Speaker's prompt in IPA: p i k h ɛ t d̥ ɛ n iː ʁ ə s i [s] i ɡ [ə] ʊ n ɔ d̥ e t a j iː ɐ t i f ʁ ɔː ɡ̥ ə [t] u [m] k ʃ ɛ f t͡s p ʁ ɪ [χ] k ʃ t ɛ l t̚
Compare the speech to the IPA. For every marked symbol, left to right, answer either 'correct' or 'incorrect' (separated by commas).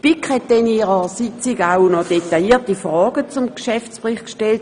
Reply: incorrect, incorrect, incorrect, correct, correct